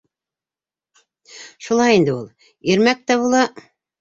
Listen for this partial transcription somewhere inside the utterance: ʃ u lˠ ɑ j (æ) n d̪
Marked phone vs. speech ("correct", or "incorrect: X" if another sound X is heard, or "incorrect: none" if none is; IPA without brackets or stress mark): incorrect: i